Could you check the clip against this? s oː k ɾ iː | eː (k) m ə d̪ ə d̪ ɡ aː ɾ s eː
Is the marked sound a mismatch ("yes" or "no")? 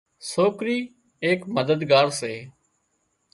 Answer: no